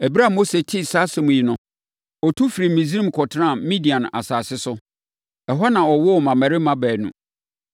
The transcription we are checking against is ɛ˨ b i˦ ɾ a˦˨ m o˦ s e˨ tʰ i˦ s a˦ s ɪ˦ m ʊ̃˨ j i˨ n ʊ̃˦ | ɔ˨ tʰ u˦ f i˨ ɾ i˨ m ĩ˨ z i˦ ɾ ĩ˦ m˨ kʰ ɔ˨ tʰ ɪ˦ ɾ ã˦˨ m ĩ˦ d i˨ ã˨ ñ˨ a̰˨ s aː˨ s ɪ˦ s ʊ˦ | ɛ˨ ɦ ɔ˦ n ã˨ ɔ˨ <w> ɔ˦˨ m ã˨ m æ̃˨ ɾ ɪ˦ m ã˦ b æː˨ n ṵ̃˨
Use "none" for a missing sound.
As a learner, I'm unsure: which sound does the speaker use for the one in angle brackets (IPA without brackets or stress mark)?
w